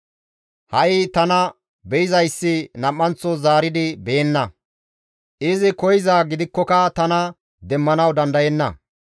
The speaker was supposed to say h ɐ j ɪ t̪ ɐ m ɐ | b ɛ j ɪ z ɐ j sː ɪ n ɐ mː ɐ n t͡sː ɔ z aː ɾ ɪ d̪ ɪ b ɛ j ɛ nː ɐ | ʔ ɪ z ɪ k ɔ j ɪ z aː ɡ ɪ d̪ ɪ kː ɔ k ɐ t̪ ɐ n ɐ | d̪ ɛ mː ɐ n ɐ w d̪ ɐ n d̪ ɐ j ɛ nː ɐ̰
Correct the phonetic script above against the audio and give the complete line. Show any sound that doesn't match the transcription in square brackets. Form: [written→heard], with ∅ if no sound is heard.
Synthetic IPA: h ɐ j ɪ t̪ ɐ [m→n] ɐ | b ɛ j ɪ z ɐ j sː ɪ n ɐ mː ɐ n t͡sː ɔ z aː ɾ ɪ d̪ ɪ b ɛ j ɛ nː ɐ | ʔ ɪ z ɪ k ɔ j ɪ z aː ɡ ɪ d̪ ɪ kː ɔ k ɐ t̪ ɐ n ɐ | d̪ ɛ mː ɐ n ɐ w d̪ ɐ n d̪ ɐ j ɛ nː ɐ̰